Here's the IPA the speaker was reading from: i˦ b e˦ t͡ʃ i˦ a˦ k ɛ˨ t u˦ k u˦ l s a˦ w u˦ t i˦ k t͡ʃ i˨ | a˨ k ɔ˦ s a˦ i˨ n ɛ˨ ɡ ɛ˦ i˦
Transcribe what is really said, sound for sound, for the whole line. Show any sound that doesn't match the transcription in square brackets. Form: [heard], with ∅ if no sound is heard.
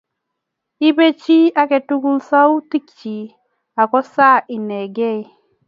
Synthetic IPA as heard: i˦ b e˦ t͡ʃ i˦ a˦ k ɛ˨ t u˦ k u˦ l s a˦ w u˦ t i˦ k t͡ʃ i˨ | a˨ k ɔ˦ s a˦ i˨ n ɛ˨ ɡ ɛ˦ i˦